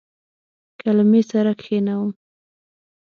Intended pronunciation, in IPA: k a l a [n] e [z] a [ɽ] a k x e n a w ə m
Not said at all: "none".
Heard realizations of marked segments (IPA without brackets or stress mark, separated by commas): m, s, ɾ